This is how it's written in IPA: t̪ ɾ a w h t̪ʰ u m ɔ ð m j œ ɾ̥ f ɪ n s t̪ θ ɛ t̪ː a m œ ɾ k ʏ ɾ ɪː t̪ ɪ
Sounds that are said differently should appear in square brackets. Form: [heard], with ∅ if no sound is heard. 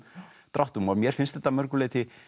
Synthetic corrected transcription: t̪ ɾ a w h [t̪] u m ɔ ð m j [ɛ] ɾ̥ f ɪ n s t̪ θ ɛ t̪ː a m œ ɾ k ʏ [l] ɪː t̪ ɪ